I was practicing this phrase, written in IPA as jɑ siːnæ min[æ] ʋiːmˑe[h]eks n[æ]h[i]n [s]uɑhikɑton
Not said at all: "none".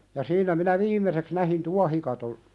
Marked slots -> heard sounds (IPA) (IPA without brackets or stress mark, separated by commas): æ, s, æ, i, t